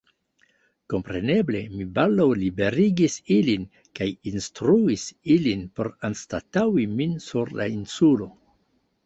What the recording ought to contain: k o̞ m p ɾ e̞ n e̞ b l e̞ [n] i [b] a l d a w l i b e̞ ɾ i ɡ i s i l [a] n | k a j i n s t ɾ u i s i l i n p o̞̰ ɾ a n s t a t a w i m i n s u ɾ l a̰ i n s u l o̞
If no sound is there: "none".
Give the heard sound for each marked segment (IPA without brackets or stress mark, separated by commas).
m, b, i